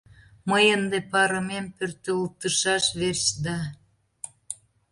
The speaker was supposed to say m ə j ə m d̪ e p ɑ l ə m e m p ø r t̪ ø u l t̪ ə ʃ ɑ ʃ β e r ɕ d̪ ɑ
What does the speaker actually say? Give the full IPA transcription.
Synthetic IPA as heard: m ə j ə n d̪ e p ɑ ɾ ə m e m p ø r t̪ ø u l t̪ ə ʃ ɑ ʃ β e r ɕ d̪ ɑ